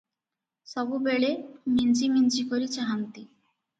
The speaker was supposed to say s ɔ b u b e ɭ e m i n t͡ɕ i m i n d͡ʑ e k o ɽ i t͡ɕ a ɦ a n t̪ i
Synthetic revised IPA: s ɔ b u b e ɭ e m i n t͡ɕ i m i n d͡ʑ i k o ɾ i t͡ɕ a ɦ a n t̪ i